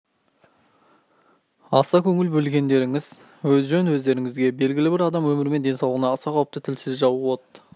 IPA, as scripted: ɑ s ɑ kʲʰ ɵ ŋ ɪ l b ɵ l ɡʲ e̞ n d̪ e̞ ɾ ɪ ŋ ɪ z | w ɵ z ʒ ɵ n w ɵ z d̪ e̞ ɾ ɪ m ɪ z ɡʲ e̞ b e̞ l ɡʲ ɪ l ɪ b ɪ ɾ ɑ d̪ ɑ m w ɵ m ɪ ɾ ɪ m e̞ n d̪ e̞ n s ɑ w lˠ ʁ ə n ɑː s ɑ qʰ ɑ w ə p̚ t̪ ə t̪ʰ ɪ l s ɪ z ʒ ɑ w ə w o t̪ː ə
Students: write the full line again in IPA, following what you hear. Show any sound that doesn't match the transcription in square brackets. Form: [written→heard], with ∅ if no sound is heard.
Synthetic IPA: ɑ s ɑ kʲʰ ɵ ŋ ɪ l b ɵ l ɡʲ e̞ n d̪ e̞ ɾ ɪ ŋ ɪ z | w ɵ z ʒ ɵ n w ɵ z d̪ e̞ ɾ ɪ [m→ŋ] ɪ z ɡʲ e̞ b e̞ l ɡʲ ɪ l ɪ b ɪ ɾ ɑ d̪ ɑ m w ɵ m ɪ ɾ ɪ m e̞ n d̪ e̞ n s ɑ w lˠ ʁ ə n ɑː s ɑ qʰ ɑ w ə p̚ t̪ ə t̪ʰ ɪ l s ɪ z ʒ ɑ w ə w o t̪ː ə

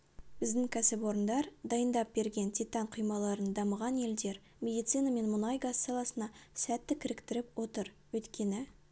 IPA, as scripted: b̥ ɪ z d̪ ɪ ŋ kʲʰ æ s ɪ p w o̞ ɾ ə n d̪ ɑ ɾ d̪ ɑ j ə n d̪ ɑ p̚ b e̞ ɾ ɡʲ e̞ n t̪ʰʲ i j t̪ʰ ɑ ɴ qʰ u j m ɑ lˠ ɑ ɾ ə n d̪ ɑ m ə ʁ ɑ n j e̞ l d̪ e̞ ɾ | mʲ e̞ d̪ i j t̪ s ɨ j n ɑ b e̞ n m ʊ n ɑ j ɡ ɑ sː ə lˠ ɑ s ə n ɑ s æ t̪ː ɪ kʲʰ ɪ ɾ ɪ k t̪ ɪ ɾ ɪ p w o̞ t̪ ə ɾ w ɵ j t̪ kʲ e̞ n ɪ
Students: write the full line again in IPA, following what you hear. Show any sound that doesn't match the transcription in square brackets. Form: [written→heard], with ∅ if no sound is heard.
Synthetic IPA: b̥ ɪ z d̪ ɪ ŋ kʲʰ æ s ɪ p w o̞ ɾ ə n d̪ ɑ ɾ d̪ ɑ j ə n d̪ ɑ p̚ b e̞ ɾ ɡʲ e̞ n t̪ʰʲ i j [t̪ʰ→t̪] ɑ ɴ qʰ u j m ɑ lˠ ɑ ɾ ə n d̪ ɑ m ə ʁ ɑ n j e̞ l d̪ e̞ ɾ | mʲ e̞ d̪ i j t̪ s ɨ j n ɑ [b→m] e̞ n m ʊ n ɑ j ɡ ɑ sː [ə→ɑ] lˠ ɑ s ə n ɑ s æ t̪ː ɪ kʲʰ ɪ ɾ ɪ k t̪ ɪ ɾ ɪ p w o̞ t̪ ə ɾ w ɵ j t̪ kʲ e̞ n ɪ

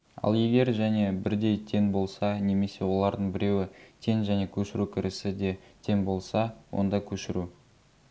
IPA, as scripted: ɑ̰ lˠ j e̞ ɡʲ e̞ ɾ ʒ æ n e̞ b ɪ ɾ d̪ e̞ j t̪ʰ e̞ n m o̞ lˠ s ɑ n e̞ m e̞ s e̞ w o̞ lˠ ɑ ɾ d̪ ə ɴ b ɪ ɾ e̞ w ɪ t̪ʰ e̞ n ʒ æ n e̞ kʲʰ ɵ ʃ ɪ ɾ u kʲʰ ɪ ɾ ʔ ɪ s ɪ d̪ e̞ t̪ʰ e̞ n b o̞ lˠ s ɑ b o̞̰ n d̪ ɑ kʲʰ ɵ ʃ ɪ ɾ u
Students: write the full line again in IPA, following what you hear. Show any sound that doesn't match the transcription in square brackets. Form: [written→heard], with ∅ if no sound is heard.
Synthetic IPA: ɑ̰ lˠ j e̞ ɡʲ e̞ ɾ ʒ æ n e̞ b ɪ ɾ d̪ e̞ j t̪ʰ e̞ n [m→b] o̞ lˠ s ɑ n e̞ m e̞ s e̞ w o̞ lˠ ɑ ɾ d̪ ə ɴ b ɪ ɾ e̞ w ɪ t̪ʰ e̞ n ʒ æ n e̞ kʲʰ ɵ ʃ ɪ ɾ u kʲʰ ɪ ɾ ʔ ɪ s ɪ d̪ e̞ t̪ʰ e̞ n b o̞ lˠ s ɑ [b→w] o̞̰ n d̪ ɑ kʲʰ ɵ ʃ ɪ ɾ u

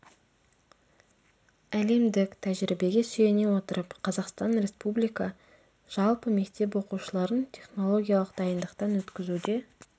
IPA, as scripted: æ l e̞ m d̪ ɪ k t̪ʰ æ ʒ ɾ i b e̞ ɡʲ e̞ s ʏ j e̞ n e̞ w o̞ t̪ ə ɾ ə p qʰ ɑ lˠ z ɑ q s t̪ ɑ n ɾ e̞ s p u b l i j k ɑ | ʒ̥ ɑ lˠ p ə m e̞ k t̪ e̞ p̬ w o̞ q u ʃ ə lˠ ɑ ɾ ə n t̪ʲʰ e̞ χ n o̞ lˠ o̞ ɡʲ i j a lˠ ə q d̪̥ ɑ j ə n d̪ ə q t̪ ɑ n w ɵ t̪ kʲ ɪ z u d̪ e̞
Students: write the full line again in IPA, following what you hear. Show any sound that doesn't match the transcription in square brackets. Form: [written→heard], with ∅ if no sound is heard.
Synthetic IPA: æ l e̞ m d̪ ɪ k t̪ʰ æ ʒ ɾ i b e̞ ɡʲ e̞ s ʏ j e̞ n e̞ w o̞ t̪ ə ɾ ə p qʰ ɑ [lˠ→∅] z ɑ q s t̪ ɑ n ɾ e̞ s p u b l i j k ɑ | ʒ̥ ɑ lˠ p ə m e̞ k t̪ e̞ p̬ w o̞ q u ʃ ə lˠ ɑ ɾ ə n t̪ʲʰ e̞ χ n o̞ lˠ o̞ ɡʲ i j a lˠ ə q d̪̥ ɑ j ə n d̪ ə q t̪ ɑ n w ɵ t̪ kʲ ɪ z u d̪ e̞

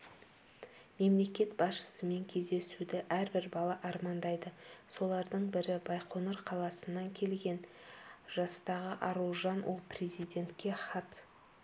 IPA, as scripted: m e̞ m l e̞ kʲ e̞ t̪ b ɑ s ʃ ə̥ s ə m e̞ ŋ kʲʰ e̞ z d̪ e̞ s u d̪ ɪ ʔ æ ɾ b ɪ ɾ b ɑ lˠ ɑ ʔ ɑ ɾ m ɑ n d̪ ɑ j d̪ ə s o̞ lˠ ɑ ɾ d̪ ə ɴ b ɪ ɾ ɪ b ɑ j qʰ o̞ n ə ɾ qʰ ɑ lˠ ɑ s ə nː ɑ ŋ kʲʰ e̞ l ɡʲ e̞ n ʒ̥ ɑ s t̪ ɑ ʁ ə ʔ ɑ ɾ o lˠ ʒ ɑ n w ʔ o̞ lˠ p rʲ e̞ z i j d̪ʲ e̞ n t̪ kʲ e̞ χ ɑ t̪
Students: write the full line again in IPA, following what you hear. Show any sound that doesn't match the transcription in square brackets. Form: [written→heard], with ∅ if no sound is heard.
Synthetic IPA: m e̞ m l e̞ kʲ e̞ t̪ b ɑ s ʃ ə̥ s ə m e̞ ŋ kʲʰ e̞ z d̪ e̞ s u d̪ ɪ ʔ æ ɾ b ɪ ɾ b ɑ lˠ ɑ ʔ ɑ ɾ m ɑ n d̪ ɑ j d̪ ə s o̞ lˠ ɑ ɾ d̪ ə ɴ b ɪ ɾ ɪ b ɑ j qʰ o̞ n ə ɾ qʰ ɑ lˠ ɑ s ə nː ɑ ŋ kʲʰ e̞ l ɡʲ e̞ n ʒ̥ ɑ s t̪ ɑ ʁ ə ʔ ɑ ɾ [o→u] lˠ ʒ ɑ n w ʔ o̞ lˠ p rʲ e̞ z i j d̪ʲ e̞ n t̪ kʲ e̞ χ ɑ t̪

